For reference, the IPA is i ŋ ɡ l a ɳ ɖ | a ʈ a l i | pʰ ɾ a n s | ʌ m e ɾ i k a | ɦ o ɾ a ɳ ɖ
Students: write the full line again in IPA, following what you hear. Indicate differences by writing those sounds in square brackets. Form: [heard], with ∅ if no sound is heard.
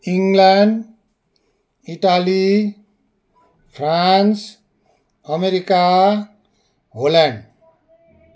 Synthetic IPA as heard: i ŋ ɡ l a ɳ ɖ | [i] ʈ a l i | pʰ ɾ a n s | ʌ m e ɾ i k a | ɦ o [l] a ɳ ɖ